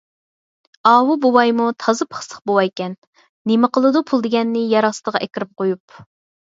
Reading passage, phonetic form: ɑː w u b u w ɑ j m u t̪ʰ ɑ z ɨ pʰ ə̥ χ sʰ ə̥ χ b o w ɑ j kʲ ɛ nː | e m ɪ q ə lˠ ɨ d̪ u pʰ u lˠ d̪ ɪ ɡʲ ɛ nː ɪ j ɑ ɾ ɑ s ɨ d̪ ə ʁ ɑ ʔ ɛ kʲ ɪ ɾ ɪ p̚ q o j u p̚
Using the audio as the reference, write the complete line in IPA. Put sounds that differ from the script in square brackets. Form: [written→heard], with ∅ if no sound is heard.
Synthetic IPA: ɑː w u b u w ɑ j m u t̪ʰ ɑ z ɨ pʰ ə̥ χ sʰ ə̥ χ b o w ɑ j kʲ ɛ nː | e m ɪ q ə lˠ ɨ d̪ u pʰ u lˠ d̪ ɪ ɡʲ ɛ nː ɪ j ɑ ɾ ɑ s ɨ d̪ ə ʁ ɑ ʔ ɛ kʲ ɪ ɾ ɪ p̚ q o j u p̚